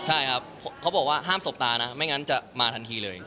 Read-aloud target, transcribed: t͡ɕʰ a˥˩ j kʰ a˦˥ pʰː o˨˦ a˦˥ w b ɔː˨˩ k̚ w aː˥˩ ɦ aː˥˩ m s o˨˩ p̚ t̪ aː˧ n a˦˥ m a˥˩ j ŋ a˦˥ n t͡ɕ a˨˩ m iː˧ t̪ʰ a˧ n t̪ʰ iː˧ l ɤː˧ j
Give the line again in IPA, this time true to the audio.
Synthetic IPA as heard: t͡ɕʰ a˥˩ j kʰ a˦˥ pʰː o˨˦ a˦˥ w b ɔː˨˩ k̚ w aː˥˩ ɦ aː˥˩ m s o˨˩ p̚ t̪ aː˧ n a˦˥ m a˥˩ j ŋ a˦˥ n t͡ɕ a˨˩ m aː˧ t̪ʰ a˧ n t̪ʰ iː˧ l ɤː˧ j

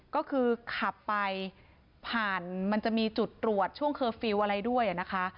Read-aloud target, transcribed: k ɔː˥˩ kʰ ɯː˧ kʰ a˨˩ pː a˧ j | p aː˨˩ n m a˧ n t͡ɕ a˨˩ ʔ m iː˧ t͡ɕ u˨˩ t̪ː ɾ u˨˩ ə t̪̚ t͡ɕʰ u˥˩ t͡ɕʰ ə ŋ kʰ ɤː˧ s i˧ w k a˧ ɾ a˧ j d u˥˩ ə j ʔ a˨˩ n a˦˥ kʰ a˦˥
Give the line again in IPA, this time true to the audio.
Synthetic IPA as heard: k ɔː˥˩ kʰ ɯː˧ kʰ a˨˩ pː a˧ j | pʰ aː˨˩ n m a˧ n t͡ɕ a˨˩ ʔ m iː˧ t͡ɕ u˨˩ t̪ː ɾ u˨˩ ə t̪̚ t͡ɕʰ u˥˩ ə ŋ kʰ ɤː˧ f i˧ w ʔ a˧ ɾ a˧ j d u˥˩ ə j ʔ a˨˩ n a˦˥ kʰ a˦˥

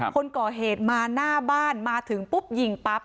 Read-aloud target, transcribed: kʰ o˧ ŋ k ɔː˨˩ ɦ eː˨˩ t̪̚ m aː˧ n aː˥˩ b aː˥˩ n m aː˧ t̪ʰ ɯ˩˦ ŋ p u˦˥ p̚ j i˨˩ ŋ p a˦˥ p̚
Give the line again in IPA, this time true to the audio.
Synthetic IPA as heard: kʰ o˧ n k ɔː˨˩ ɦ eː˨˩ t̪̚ m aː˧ n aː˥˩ b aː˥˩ n m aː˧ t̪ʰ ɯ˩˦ ŋ p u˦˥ p̚ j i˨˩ ŋ p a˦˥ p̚

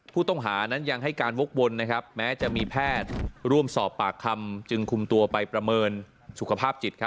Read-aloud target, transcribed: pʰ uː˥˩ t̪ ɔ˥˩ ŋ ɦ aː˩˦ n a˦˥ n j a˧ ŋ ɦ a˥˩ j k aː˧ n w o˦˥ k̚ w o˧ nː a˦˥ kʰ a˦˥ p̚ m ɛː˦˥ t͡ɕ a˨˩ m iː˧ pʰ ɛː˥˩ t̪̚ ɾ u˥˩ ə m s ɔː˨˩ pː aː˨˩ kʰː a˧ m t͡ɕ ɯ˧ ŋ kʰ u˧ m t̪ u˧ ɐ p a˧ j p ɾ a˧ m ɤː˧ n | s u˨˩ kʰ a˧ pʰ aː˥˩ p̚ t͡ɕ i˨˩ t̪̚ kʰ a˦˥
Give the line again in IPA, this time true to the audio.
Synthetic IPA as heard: pʰ uː˥˩ t̪ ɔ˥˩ ŋ ɦ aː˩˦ n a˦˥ n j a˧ ŋ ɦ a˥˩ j k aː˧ n w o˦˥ k̚ w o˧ nː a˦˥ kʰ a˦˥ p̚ m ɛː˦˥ t͡ɕ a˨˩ m iː˧ pʰ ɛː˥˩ t̪̚ ɾ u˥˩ ə m s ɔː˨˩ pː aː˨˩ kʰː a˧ m t͡ɕ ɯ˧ ŋ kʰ u˧ m t̪ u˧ ɐ p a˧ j p ɾ a˧ m ɤː˧ n | s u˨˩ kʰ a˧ pʰ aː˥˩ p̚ t͡ɕ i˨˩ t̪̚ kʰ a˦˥

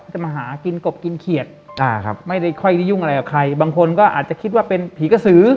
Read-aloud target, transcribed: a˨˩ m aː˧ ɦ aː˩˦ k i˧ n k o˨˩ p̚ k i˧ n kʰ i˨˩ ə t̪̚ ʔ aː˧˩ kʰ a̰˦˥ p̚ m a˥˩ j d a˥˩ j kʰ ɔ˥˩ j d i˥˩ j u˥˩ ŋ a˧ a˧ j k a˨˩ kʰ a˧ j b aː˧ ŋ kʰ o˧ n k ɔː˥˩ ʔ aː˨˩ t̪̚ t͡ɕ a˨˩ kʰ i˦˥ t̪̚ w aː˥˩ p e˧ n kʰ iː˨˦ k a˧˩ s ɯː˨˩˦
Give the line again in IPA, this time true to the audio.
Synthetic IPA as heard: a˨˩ m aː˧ ɦ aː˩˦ k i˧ n k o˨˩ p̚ k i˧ n kʰ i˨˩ ə t̪̚ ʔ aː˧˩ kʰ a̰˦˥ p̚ m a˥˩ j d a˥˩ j kʰ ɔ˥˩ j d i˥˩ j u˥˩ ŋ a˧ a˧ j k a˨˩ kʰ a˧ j b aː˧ ŋ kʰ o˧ n k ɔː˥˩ ʔ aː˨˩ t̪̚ t͡ɕ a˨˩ kʰ i˦˥ t̪̚ w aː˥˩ p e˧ n pʰ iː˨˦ k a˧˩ s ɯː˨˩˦

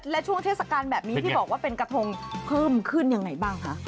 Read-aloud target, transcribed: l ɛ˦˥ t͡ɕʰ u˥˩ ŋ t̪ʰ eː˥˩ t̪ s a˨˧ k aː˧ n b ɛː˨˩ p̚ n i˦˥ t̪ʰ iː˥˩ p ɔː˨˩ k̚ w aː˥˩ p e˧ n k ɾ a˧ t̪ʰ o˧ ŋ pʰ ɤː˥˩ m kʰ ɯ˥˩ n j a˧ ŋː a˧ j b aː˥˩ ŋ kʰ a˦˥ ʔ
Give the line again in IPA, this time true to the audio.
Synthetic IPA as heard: l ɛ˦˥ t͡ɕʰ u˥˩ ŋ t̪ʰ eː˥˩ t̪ s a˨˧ k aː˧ n b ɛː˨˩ p̚ n i˦˥ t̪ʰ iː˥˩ b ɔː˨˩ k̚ w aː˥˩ p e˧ n k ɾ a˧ t̪ʰ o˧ ŋ pʰ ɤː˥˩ m kʰ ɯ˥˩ n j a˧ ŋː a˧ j b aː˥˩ ŋ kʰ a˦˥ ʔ

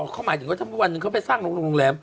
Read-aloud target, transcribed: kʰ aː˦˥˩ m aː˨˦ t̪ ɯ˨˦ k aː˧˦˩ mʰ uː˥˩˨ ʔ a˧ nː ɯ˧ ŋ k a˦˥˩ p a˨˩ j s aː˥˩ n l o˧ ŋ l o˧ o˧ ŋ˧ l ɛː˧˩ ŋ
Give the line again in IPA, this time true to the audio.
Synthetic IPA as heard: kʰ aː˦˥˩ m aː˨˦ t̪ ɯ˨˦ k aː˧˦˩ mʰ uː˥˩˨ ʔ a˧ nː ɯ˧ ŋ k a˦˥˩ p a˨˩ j s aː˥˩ ŋ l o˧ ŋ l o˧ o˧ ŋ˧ l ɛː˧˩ m

